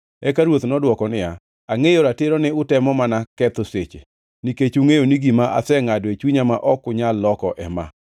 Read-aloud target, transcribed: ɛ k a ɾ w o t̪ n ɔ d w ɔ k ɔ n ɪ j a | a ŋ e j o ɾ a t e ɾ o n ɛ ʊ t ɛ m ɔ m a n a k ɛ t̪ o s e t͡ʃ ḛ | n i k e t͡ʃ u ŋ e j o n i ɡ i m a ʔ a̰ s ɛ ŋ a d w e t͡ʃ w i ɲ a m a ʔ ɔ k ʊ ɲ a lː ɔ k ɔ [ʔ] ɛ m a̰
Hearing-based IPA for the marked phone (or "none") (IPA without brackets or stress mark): ʔ